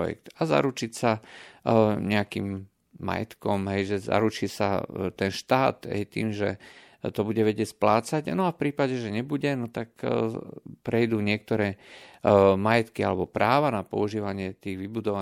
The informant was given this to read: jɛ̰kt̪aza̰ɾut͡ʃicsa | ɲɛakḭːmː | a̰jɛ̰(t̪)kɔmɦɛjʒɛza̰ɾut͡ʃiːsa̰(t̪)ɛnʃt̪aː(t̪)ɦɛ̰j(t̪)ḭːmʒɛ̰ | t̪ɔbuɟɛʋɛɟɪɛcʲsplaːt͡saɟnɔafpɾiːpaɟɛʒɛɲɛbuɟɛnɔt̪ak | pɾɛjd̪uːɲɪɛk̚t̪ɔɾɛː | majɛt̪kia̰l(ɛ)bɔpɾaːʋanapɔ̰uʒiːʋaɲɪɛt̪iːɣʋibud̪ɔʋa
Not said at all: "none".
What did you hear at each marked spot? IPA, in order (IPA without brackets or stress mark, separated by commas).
t̪, t̪, t̪, t̪, ɛ